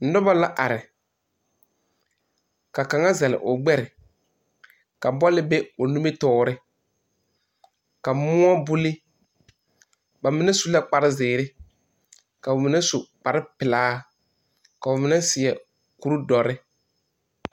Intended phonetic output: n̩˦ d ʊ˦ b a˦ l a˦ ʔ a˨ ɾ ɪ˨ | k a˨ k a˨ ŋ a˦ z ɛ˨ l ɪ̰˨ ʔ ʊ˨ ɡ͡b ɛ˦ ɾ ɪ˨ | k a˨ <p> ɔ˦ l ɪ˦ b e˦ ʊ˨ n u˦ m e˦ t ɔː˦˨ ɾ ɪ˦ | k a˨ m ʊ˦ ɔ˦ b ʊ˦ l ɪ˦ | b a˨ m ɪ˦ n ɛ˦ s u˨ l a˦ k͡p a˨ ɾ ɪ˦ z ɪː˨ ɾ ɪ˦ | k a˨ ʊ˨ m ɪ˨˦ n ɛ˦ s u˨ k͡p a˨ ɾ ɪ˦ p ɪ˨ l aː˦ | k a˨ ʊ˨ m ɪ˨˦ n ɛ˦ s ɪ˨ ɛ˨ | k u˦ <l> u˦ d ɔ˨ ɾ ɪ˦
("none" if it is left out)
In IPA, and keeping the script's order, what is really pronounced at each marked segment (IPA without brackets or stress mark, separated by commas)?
b, ɾ